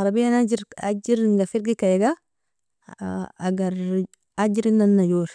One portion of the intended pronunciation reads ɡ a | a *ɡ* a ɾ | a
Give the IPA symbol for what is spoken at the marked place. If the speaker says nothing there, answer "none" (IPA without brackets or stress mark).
ɡ